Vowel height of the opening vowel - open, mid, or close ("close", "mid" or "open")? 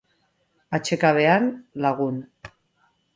open